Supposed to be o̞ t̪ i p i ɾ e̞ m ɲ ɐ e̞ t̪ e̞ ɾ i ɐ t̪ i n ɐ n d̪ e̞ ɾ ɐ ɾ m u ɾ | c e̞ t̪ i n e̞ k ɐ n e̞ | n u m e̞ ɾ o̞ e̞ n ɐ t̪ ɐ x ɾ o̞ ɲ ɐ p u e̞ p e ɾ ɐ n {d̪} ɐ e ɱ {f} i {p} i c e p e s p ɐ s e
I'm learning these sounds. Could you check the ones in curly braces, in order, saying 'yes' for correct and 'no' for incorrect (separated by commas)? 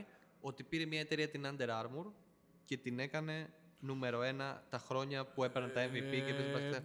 no, no, yes